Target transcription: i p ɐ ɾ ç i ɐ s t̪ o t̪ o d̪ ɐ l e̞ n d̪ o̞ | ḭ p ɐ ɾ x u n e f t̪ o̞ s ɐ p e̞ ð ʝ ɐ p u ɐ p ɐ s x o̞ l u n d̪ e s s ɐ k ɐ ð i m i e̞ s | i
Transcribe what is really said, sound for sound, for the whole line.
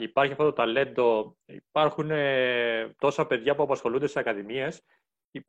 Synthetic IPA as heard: i p ɐ ɾ ç i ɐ f t̪ o t̪ o t̪ ɐ l e̞ n d̪ o̞ | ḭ p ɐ ɾ x u n e t̪ o̞ s ɐ p e̞ ð ʝ ɐ p u ɐ p ɐ s x o̞ l u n d̪ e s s ɐ k ɐ ð i m i e̞ s | i